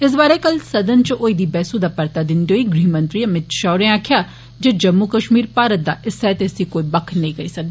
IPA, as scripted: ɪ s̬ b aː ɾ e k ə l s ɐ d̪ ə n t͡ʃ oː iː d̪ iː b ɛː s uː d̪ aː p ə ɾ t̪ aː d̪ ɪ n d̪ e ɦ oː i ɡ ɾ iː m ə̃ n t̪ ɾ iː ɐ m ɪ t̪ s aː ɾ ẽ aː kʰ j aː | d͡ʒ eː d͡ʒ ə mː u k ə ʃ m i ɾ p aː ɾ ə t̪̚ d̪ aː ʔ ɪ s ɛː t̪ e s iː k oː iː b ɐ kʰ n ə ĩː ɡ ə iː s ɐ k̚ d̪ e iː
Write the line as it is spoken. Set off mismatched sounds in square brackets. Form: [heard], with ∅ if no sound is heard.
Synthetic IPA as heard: ɪ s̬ b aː ɾ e k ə l s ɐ d̪ ə n t͡ʃ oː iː d̪ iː b ɛː s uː d̪ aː p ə ɾ t̪ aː d̪ ɪ n d̪ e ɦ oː i ɡ ɾ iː m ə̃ n t̪ ɾ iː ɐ m ɪ t̪ [ʃ] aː ɾ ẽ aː kʰ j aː | d͡ʒ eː d͡ʒ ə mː u k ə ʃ m [iː] ɾ p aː ɾ ə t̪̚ d̪ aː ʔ ɪ s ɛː t̪ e s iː k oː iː b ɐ kʰ n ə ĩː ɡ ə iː s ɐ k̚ d̪ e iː